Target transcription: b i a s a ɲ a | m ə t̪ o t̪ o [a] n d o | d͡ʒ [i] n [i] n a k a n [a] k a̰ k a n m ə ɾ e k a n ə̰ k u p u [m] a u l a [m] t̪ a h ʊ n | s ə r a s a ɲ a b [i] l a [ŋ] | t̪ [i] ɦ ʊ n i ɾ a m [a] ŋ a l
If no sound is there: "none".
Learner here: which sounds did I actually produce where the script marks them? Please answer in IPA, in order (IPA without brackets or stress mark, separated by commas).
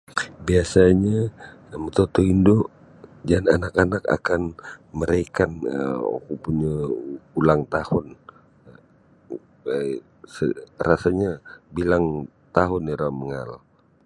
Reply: i, a, a, a, ɲ, ŋ, i, ŋ, a, ə